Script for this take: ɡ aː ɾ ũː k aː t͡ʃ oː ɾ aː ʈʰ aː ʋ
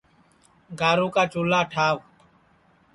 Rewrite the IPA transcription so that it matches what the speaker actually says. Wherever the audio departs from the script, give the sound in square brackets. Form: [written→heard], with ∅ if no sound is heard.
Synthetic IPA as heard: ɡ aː ɾ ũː k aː t͡ʃ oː [ɾ→l] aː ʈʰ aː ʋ